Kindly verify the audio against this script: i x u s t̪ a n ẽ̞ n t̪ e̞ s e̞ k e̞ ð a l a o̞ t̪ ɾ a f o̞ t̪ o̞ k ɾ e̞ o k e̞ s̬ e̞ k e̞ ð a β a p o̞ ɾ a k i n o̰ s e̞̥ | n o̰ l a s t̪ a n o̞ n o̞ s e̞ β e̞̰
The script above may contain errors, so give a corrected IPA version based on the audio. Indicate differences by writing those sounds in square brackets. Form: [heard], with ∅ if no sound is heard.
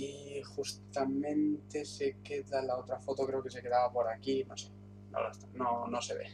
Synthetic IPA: i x u s t̪ a [m] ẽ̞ n t̪ e̞ s e̞ k e̞ ð a l a o̞ t̪ ɾ a f o̞ t̪ o̞ k ɾ e̞ o k e̞ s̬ e̞ k e̞ ð a β a p o̞ ɾ a k i n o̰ s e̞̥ | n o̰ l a s t̪ a n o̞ n o̞ s e̞ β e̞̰